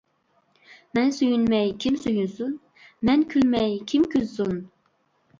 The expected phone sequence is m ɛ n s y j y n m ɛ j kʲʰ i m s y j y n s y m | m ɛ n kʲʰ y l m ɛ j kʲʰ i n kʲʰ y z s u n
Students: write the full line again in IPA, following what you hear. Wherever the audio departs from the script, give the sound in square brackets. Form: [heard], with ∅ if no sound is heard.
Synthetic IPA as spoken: m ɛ n s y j y n m ɛ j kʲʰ i m s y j y n s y [n] | m ɛ n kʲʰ y l m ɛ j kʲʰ i [m] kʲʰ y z s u n